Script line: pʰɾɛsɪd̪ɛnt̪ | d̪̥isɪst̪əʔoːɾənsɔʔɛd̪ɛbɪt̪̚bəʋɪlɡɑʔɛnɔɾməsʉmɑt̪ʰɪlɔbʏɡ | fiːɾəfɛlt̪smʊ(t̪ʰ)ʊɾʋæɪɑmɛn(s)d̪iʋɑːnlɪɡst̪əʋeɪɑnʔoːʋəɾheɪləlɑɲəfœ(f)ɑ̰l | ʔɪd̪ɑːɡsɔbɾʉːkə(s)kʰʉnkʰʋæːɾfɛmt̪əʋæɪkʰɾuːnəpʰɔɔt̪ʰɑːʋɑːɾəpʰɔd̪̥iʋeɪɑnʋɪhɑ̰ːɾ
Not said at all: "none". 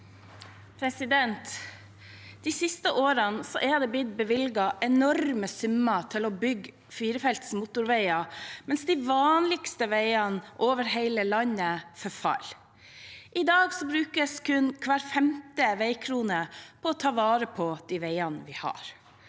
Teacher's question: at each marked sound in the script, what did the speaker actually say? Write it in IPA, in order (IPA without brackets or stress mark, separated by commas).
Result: t̪, s, f, s